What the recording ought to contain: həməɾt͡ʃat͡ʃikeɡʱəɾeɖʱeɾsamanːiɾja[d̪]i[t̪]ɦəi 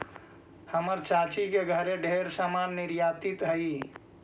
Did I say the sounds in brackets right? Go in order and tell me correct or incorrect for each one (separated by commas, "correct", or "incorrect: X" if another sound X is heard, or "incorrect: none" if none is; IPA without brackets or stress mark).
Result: incorrect: t̪, correct